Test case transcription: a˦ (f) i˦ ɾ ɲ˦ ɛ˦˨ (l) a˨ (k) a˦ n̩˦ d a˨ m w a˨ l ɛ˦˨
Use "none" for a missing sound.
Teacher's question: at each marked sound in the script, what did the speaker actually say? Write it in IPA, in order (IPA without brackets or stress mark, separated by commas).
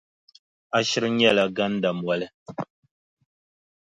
ʃ, l, ɡ